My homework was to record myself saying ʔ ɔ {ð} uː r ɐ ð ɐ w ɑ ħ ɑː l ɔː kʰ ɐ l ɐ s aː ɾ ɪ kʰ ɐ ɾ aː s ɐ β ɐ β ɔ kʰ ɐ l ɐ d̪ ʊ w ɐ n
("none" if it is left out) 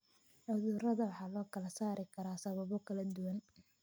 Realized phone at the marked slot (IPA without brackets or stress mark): ð